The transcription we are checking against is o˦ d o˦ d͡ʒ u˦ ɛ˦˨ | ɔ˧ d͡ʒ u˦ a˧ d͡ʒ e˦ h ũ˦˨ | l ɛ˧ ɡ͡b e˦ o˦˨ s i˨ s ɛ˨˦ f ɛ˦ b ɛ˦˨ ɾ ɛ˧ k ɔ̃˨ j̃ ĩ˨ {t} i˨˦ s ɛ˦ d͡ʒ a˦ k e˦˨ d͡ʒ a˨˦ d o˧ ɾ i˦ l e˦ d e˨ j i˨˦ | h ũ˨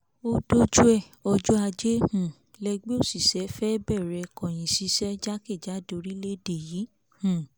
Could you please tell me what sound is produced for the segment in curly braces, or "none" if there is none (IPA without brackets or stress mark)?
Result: s